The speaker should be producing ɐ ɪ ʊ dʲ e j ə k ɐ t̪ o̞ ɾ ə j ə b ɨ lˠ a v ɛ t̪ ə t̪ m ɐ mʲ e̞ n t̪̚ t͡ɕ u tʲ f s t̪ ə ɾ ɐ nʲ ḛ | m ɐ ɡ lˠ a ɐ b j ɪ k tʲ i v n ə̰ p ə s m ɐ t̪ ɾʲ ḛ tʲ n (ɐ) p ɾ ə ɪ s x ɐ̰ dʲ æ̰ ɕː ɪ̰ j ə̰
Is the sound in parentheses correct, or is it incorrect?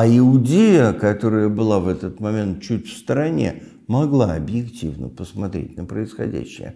incorrect: ə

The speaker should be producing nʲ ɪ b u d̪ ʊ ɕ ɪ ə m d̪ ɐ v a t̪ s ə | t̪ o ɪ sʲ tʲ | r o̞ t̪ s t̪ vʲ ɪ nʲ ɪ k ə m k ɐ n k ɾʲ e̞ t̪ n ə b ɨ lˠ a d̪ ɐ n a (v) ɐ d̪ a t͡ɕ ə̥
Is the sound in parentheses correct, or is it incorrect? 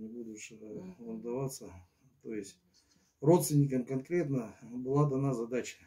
incorrect: z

